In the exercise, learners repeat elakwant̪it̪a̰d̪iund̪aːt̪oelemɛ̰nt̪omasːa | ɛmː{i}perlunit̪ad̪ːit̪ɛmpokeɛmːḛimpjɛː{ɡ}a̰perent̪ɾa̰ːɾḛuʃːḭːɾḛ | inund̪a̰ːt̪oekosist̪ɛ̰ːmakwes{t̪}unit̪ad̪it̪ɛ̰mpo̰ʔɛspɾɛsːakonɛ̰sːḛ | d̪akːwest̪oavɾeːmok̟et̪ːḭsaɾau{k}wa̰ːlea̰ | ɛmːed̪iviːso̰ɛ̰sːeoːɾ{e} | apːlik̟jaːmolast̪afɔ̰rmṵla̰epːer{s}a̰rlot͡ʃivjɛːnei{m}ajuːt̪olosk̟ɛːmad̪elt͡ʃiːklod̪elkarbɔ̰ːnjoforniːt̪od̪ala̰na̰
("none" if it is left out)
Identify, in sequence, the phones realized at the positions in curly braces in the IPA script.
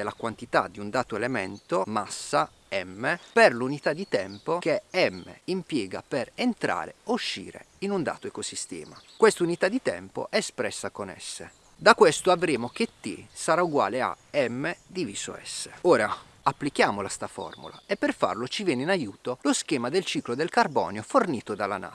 e, ɡ, t̪, ɡ, a, f, n

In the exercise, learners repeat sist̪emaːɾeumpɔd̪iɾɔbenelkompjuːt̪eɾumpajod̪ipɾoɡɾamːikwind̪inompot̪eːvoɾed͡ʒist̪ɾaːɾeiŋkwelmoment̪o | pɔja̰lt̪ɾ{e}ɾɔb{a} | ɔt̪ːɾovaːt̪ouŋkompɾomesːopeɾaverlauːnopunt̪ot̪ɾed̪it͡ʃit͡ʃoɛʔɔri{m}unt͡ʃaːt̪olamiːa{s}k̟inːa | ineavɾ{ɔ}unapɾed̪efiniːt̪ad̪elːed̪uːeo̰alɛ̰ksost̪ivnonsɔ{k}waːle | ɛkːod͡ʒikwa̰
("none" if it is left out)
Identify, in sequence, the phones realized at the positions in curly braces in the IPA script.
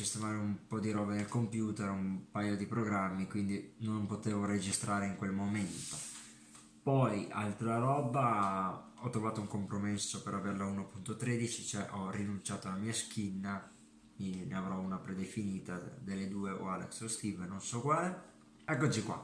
a, a, n, s, ɔ, k

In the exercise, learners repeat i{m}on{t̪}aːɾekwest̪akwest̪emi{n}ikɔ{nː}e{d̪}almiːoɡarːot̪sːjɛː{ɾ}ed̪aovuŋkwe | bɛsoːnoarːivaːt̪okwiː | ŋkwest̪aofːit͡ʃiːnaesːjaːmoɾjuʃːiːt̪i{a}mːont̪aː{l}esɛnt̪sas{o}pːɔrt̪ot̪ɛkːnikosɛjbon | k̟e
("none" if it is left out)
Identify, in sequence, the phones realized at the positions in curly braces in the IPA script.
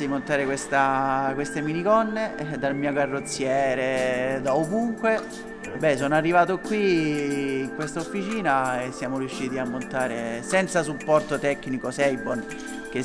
m, t̪, n, nː, d̪, ɾ, a, ɾ, u

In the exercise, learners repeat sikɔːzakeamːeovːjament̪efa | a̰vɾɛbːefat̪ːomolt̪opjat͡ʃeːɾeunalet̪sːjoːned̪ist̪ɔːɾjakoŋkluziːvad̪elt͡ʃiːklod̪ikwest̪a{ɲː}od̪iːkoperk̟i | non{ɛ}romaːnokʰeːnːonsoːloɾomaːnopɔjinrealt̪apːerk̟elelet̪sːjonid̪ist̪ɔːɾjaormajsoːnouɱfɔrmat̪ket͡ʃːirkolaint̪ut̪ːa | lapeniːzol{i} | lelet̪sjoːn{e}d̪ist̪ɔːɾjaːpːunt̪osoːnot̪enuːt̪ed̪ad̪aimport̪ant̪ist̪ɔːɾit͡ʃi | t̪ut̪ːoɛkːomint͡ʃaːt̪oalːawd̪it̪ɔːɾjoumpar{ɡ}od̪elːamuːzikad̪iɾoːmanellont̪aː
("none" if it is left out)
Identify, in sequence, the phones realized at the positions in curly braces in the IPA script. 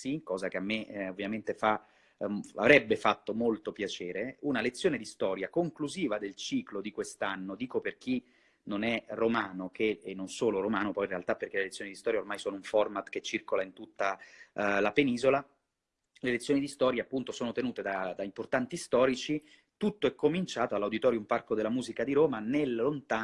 nː, ɛ, a, i, k

